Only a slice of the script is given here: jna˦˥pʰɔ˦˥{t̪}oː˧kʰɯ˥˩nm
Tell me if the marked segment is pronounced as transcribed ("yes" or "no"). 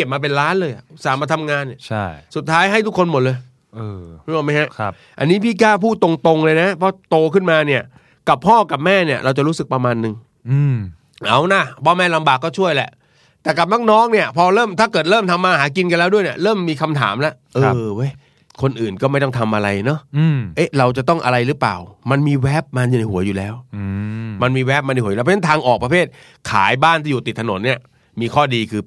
yes